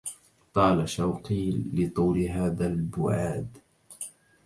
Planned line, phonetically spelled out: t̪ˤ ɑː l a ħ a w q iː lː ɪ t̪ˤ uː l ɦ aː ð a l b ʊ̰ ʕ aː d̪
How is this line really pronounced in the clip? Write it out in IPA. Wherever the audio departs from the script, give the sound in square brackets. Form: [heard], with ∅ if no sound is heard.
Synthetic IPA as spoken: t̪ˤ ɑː l a [ʃ] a w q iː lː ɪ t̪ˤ uː l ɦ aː ð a l b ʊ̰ ʕ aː d̪

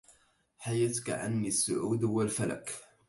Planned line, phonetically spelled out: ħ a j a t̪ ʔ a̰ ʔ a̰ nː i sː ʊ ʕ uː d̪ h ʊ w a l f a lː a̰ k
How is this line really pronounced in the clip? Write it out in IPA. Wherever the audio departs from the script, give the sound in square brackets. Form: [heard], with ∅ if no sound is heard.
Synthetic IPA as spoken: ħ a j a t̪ [k] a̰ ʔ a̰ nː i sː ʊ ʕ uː d̪ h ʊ w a l f a [l] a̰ k

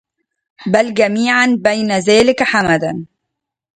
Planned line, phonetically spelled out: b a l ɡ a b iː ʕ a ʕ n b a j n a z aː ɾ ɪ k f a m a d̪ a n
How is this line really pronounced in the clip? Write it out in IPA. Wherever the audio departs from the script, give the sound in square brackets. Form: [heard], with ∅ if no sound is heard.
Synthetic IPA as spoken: b a l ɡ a [m] iː ʕ a [∅] n b a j n a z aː [l] ɪ k [ħ] a m a d̪ a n

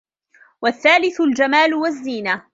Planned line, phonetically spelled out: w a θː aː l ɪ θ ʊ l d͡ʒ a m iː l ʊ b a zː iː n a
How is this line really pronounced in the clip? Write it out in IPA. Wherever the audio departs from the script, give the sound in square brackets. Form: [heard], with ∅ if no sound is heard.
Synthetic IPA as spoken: w a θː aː l ɪ θ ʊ l d͡ʒ a m [aː] l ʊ [w] a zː iː n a

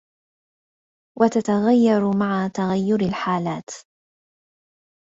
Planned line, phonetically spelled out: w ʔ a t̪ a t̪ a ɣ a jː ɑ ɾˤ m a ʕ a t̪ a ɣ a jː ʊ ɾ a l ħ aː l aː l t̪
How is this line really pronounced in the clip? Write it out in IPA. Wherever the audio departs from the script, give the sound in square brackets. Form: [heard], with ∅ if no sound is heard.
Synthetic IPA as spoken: w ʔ a t̪ a t̪ a ɣ a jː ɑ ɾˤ m a ʕ a t̪ a ɣ a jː ʊ ɾ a l ħ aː l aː [∅] t̪

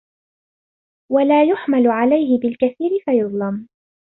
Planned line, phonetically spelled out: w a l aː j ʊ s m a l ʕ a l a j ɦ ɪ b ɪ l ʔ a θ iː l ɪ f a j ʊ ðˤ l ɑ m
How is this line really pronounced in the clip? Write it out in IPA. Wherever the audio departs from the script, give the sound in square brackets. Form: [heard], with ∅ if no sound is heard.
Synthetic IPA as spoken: w a l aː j ʊ [ħ] m a l ʕ a l a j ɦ ɪ b ɪ l [k] a θ iː [ɾ] ɪ f a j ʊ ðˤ l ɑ m

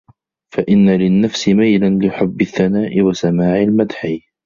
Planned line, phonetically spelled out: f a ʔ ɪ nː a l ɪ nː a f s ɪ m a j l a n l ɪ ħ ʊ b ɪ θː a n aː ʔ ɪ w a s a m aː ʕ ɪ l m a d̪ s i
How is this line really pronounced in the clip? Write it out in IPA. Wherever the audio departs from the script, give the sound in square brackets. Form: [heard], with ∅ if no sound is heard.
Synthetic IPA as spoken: f a ʔ ɪ nː a l ɪ nː a f s ɪ m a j l a n l ɪ ħ ʊ [bː] ɪ θː a n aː ʔ ɪ w a s a m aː ʕ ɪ l m a d̪ [ħ] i

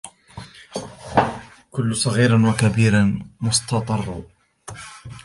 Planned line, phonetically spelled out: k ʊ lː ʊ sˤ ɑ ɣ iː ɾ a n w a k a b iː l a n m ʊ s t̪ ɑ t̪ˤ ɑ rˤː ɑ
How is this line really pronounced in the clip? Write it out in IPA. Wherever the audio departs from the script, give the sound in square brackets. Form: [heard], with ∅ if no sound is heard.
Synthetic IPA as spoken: k ʊ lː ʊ sˤ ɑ ɣ iː ɾ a n w a k a b iː [ɾ] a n m ʊ s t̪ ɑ t̪ˤ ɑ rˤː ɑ

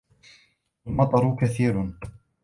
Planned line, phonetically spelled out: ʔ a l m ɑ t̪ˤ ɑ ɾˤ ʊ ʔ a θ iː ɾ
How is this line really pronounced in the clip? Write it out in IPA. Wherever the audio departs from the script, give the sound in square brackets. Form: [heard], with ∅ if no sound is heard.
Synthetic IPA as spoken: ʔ a l m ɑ t̪ˤ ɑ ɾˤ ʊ [k] a θ iː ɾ

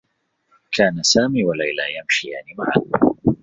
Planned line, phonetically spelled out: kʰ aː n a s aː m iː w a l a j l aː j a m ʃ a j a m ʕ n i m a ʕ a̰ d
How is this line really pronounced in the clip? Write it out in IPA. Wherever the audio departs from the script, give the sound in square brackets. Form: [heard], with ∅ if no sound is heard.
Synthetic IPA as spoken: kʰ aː n a s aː m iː w a l a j l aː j a m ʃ [i] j a [∅] ʕ n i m a ʕ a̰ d

